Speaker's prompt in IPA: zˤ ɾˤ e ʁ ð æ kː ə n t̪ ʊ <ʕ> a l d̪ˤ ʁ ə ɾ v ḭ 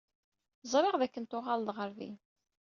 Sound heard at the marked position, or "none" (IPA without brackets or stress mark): ʁ